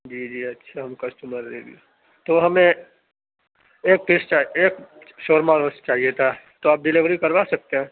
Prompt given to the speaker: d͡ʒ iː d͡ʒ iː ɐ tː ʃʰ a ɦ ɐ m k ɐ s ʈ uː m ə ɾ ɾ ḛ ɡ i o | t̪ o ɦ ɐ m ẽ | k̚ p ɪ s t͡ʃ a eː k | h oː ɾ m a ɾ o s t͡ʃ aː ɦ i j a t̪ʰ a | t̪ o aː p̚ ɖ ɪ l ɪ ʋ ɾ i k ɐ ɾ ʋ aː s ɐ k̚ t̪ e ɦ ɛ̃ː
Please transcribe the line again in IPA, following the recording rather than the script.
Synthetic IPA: d͡ʒ iː d͡ʒ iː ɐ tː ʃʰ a ɦ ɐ m k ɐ s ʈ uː m ə ɾ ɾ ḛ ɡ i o | t̪ o ɦ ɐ m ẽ | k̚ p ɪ s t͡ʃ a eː k | ʃ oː ɾ m a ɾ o s t͡ʃ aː ɦ i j e t̪ʰ a | t̪ o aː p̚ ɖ ɪ l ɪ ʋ ɾ i k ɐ ɾ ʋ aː s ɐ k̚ t̪ e ɦ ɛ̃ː

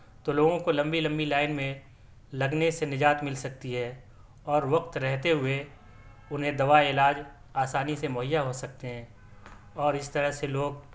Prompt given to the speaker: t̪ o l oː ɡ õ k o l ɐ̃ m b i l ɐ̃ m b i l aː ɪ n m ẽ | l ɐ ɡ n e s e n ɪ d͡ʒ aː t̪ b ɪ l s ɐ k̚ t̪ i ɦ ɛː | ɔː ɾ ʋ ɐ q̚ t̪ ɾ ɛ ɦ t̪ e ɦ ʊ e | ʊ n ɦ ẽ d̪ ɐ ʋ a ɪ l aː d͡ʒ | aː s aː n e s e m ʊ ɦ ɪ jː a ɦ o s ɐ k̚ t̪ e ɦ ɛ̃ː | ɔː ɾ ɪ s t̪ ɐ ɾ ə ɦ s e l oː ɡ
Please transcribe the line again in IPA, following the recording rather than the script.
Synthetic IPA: t̪ o l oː ɡ õ k o l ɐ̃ m b i l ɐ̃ m b i l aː ɪ n m ẽ | l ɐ ɡ n e s e n ɪ d͡ʒ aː t̪ m ɪ l s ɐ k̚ t̪ i ɦ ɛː | ɔː ɾ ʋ ɐ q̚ t̪ ɾ ɛ ɦ t̪ e ɦ ʊ e | ʊ n ɦ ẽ d̪ ɐ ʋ a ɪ l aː d͡ʒ | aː s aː n i s e m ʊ ɦ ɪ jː a ɦ o s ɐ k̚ t̪ e ɦ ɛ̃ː | ɔː ɾ ɪ s t̪ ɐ ɾ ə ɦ s e l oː ɡ

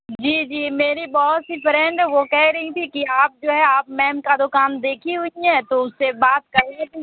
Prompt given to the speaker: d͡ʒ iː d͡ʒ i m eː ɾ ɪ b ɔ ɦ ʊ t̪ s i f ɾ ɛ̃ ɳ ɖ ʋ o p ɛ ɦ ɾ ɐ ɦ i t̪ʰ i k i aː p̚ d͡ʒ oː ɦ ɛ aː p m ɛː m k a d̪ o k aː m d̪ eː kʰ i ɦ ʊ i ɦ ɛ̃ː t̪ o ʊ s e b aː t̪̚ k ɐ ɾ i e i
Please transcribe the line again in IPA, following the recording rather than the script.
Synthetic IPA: d͡ʒ iː d͡ʒ iː m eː ɾ i b ɔ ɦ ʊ t̪ s i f ɾ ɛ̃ ɳ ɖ ʋ o k ɛ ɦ ɾ ɐ ɦ i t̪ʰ i k i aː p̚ d͡ʒ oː ɦ ɛ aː p m ɛː m k a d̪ o k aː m d̪ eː kʰ i ɦ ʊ i ɦ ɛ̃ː t̪ o ʊ s e b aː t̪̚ k ɐ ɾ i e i

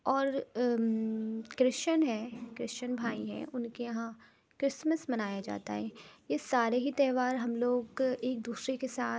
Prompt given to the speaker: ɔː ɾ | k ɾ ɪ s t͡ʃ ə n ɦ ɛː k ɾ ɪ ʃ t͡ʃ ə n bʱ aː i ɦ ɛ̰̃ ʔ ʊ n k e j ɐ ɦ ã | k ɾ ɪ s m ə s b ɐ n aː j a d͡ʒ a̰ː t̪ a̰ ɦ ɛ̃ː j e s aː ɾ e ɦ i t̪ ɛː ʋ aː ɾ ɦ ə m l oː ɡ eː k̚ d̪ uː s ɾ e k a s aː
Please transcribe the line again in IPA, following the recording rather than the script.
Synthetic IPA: ɔː ɾ | k ɾ ɪ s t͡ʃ ə n ɦ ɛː k ɾ ɪ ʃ t͡ʃ ə n bʱ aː i ɦ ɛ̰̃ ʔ ʊ n k e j ɐ ɦ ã | k ɾ ɪ s m ə s m ɐ n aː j a d͡ʒ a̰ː t̪ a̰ ɦ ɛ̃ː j e s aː ɾ e ɦ i t̪ ɛː ʋ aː ɾ ɦ ɐ m l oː ɡ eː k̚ d̪ uː s ɾ e k e s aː

